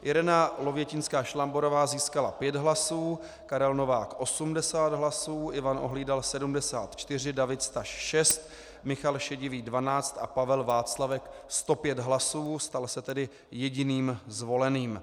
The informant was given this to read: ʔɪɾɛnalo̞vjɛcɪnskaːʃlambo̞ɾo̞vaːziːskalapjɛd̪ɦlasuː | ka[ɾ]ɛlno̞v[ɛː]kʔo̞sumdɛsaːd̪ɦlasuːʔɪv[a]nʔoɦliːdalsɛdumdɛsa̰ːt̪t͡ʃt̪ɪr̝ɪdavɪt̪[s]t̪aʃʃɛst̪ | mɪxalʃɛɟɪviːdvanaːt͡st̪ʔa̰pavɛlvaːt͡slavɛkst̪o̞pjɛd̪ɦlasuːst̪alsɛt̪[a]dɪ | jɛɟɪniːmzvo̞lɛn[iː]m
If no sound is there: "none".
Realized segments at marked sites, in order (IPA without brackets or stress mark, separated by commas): ɾ, aː, a, s, ɛ, iː